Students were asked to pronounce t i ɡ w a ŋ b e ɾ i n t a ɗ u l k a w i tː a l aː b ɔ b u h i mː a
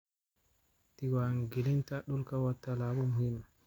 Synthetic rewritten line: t i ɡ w a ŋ ɡ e l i n t a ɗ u l k a w a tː a l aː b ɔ m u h i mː a